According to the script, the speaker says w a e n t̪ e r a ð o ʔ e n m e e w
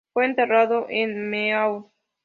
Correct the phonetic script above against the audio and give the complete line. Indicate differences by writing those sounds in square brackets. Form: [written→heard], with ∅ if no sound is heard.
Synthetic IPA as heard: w [a→e] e n t̪ e r a ð o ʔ e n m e [e→a] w